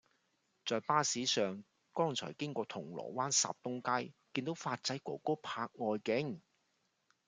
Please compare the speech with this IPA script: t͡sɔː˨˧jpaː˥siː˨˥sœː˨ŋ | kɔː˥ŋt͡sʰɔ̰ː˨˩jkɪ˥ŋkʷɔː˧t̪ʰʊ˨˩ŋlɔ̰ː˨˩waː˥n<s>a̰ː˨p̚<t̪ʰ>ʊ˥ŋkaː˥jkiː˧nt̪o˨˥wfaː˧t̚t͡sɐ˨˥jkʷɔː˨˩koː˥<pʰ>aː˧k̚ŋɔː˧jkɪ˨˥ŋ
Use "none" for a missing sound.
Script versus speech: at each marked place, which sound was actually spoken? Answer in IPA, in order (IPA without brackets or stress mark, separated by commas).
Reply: s, t̪, pʰ